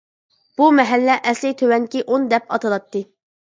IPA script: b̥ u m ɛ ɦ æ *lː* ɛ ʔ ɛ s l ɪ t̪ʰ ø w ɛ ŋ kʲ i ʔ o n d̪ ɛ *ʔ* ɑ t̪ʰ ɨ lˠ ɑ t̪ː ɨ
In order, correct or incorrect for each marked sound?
correct, incorrect: p

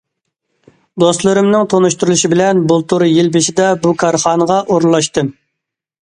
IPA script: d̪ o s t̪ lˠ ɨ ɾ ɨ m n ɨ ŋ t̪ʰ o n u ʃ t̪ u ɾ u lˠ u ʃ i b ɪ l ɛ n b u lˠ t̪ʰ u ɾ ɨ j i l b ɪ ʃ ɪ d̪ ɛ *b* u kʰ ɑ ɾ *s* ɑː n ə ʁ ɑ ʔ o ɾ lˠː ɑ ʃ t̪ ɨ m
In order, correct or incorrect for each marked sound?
correct, incorrect: χ

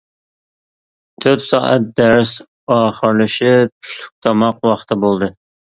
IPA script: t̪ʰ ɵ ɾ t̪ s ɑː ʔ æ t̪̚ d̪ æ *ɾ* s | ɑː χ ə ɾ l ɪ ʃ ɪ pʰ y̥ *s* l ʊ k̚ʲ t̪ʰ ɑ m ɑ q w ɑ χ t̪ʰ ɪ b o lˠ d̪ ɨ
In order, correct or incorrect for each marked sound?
correct, incorrect: ʃ

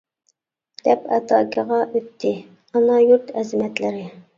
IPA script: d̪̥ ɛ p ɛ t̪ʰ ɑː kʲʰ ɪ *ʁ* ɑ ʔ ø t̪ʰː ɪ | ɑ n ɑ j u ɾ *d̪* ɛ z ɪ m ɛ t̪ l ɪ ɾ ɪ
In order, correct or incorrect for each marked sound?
correct, incorrect: t̪

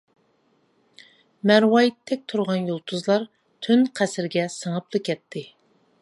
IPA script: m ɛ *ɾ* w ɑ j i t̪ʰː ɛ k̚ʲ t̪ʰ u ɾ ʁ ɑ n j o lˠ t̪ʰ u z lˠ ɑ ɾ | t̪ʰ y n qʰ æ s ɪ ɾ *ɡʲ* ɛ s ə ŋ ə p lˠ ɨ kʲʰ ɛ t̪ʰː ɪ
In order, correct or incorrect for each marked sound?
correct, correct

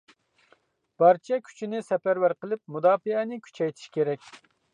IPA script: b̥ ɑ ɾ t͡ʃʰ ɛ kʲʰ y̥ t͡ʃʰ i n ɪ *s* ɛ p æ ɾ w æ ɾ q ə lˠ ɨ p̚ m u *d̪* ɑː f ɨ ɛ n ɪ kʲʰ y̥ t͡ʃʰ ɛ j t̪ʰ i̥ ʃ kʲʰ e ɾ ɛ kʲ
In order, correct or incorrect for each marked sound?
correct, correct

